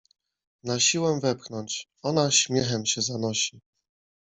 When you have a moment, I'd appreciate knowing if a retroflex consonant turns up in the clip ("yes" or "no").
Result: no